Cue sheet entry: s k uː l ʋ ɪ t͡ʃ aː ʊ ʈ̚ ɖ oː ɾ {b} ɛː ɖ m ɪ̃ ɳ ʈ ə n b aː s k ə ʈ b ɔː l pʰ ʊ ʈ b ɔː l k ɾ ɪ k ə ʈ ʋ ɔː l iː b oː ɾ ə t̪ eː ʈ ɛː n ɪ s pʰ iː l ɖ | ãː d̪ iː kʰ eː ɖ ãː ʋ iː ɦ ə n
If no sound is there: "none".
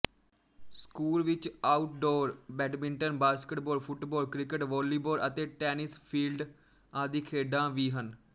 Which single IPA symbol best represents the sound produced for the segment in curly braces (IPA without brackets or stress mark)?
b